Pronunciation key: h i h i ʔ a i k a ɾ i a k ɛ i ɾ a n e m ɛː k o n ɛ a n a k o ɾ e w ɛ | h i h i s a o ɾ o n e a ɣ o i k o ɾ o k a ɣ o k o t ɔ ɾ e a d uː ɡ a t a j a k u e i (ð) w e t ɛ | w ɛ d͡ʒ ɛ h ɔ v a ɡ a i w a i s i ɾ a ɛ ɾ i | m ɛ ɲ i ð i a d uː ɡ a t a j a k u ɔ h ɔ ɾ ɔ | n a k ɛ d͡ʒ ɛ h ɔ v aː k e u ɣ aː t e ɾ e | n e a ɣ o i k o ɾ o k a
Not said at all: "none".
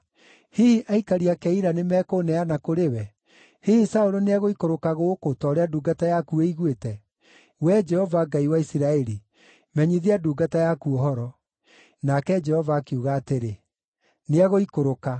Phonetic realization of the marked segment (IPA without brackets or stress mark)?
ɣ